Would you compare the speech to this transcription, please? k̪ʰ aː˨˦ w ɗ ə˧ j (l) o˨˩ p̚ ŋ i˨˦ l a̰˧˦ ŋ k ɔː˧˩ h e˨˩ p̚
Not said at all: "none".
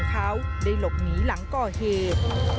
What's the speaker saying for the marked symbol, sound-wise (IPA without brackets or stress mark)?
l